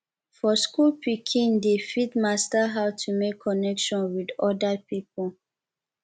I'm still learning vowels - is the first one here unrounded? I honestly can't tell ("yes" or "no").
no